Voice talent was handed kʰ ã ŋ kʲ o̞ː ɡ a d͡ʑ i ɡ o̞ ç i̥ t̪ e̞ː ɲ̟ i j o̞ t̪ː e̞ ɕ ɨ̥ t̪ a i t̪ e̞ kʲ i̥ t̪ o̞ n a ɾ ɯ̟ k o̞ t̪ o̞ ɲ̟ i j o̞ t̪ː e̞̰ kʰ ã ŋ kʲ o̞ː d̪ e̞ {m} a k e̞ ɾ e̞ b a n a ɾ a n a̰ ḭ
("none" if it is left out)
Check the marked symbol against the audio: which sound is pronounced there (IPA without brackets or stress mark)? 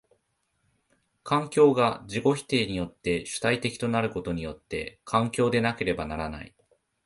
n